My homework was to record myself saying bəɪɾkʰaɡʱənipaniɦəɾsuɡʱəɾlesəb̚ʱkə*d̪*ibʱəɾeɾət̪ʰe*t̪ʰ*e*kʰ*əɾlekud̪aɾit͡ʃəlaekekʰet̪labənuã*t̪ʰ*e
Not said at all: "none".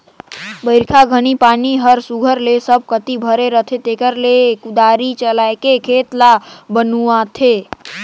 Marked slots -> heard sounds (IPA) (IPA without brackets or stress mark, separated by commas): t̪, t̪, k, t̪ʰ